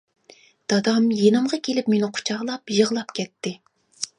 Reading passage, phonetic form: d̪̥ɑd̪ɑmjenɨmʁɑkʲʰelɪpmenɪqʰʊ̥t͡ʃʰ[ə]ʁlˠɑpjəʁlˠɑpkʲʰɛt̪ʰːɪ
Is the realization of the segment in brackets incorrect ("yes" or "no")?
yes